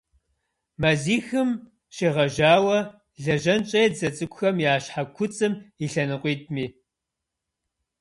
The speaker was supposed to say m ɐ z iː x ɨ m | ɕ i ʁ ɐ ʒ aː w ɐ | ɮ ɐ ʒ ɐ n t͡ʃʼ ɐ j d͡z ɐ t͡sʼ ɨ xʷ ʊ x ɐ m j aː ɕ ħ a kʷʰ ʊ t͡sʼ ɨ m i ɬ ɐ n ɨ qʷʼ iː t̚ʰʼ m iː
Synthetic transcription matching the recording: m ɐ z iː x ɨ m | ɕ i ʁ ɐ ʒ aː w ɐ | ɮ ɐ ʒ ɐ n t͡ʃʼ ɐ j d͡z ɐ t͡sʼ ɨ kʷ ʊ x ɐ m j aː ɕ ħ a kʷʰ ʊ t͡sʼ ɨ m i ɬ ɐ n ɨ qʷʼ iː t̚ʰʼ m iː